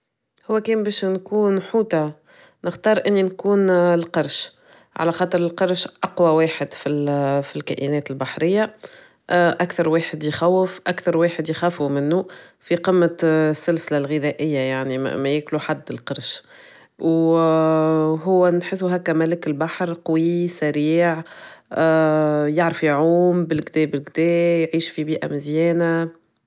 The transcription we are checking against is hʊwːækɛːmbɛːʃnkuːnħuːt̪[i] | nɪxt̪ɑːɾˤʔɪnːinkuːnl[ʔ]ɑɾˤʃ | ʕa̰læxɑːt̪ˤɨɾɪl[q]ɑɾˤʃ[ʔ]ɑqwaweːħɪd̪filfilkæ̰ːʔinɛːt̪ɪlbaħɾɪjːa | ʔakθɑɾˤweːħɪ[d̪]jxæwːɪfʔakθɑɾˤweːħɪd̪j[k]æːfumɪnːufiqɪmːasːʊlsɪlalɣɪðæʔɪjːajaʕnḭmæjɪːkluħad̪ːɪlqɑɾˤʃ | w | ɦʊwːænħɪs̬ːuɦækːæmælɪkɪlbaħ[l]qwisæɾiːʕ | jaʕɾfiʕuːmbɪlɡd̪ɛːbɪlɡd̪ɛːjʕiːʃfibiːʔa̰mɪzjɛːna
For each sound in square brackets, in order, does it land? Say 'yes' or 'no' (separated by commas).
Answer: no, no, yes, yes, yes, no, no